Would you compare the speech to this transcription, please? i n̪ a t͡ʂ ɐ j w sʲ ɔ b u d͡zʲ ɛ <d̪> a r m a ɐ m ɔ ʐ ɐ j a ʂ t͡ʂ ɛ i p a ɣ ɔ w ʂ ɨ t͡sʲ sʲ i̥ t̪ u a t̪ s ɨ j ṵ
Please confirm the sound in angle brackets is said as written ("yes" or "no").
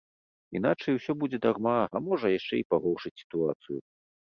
yes